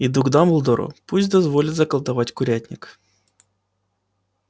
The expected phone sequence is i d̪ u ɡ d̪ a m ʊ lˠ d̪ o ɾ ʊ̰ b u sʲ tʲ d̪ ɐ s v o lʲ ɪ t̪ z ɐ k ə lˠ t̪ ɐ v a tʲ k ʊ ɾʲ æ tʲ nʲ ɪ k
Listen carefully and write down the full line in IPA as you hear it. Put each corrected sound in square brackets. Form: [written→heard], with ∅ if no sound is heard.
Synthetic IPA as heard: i d̪ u ɡ d̪ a m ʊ lˠ d̪ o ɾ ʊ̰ [b→p] u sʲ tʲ d̪ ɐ [s→z] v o lʲ ɪ t̪ z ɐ k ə lˠ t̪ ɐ v a tʲ k ʊ ɾʲ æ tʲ nʲ ɪ k